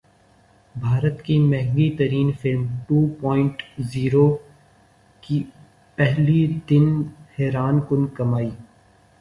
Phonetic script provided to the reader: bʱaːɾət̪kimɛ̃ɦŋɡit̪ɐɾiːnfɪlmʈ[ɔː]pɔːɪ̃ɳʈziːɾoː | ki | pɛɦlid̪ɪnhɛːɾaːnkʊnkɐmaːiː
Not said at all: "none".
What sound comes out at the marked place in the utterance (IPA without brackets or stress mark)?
uː